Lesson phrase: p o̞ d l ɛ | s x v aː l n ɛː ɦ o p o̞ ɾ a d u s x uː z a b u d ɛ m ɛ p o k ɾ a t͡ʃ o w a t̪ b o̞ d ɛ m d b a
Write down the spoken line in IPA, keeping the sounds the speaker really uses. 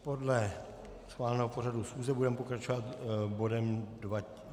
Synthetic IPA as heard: p o̞ d l ɛ | s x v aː l n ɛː ɦ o p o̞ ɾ a d u s x uː z ɛ b u d ɛ m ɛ p o k ɾ a t͡ʃ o v a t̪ b o̞ d ɛ m d v a